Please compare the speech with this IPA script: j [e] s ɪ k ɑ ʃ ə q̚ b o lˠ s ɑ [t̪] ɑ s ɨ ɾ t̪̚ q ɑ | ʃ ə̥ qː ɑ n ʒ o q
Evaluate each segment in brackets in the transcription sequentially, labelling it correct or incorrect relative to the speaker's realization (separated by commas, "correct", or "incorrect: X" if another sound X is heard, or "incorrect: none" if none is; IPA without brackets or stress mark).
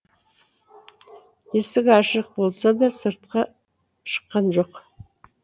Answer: correct, incorrect: d̪